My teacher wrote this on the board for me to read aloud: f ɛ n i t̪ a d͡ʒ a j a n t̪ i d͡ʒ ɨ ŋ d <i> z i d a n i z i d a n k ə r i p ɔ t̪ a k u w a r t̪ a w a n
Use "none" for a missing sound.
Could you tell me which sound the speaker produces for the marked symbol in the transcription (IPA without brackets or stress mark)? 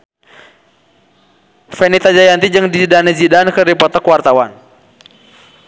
i